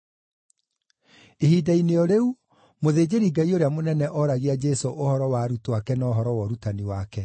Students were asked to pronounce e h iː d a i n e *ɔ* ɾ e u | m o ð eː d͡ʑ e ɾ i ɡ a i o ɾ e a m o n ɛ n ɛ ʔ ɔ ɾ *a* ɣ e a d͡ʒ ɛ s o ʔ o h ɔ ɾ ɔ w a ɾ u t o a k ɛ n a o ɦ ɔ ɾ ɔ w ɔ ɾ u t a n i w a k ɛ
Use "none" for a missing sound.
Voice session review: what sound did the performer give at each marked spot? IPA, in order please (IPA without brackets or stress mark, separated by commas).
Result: ɔ, a